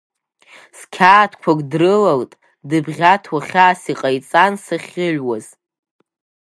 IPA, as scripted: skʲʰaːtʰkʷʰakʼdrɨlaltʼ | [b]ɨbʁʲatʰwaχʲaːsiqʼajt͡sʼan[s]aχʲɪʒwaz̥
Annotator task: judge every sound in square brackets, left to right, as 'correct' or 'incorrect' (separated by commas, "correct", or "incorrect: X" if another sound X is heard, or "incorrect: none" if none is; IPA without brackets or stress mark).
incorrect: d, correct